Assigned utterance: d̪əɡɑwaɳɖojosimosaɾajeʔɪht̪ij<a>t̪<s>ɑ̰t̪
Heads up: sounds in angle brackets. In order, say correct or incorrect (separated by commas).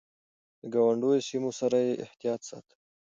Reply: incorrect, correct